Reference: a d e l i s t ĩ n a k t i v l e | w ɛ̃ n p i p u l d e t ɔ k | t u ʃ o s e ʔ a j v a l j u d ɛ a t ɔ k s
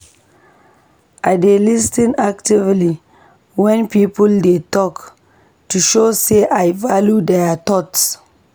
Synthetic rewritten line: a d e l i s t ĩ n a k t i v l i | w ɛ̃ n p i p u l d e t ɔ k | t u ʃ o s e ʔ a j v a l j u d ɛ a t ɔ t s